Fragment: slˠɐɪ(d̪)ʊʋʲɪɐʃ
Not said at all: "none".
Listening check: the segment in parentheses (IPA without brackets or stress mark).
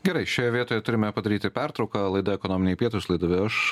d̪